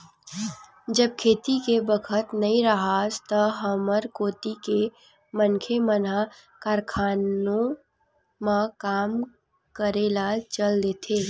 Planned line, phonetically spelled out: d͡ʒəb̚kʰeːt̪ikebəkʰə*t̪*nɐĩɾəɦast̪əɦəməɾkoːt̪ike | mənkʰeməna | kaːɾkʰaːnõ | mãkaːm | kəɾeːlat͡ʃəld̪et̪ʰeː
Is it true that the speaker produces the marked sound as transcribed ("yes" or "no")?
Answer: yes